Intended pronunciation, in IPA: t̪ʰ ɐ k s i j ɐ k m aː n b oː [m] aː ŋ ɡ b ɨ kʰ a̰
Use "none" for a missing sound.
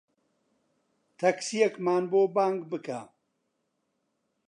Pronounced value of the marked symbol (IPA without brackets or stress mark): b